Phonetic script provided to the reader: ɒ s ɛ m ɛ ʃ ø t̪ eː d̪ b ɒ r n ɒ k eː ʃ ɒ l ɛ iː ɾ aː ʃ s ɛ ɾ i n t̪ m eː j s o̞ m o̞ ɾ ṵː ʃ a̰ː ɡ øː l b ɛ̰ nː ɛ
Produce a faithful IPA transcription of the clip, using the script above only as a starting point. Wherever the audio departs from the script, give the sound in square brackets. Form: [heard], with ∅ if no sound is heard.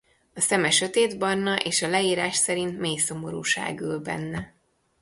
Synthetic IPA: ɒ s ɛ m ɛ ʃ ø t̪ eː d̪ b ɒ r n ɒ [ʔ] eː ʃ ɒ l ɛ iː ɾ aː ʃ s ɛ ɾ i n t̪ m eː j s o̞ m o̞ ɾ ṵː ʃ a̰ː ɡ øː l b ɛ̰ nː ɛ